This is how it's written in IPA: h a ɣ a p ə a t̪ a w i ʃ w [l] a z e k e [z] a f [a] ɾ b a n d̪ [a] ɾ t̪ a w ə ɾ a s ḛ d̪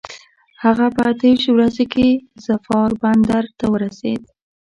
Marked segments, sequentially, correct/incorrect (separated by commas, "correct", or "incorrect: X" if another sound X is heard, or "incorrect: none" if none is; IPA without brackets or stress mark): incorrect: ɾ, correct, incorrect: ɑ, correct